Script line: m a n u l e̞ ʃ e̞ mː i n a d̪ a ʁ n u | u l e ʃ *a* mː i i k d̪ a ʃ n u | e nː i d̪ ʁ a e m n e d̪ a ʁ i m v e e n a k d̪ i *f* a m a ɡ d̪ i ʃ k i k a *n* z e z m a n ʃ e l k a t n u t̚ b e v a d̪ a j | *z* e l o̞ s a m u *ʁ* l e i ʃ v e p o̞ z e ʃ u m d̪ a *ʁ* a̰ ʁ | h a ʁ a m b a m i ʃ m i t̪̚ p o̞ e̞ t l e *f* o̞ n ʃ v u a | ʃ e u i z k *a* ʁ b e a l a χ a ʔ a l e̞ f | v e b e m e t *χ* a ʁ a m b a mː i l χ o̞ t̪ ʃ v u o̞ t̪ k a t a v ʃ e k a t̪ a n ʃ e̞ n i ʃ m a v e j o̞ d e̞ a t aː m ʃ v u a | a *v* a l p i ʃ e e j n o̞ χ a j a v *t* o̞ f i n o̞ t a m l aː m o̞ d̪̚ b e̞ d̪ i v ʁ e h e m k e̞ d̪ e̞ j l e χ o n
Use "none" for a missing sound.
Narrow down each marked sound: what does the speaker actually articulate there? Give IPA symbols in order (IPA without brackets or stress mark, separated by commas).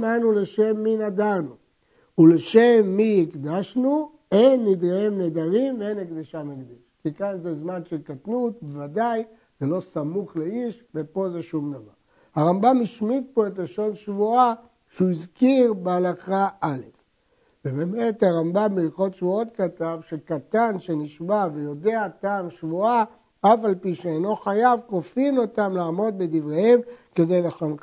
e, ʃ, n, z, χ, v, ʃ, i, h, f, k